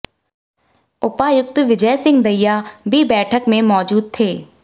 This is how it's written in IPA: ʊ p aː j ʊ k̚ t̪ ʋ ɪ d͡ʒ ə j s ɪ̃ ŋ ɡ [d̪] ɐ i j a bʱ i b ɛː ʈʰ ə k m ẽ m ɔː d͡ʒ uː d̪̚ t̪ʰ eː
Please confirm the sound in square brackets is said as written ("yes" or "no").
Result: yes